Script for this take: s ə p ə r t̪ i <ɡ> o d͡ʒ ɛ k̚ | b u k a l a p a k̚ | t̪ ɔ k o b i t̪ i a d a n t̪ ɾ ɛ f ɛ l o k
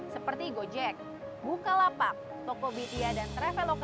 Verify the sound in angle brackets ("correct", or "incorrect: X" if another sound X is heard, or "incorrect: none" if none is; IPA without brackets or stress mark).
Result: correct